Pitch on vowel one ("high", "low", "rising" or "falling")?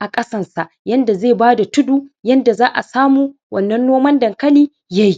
low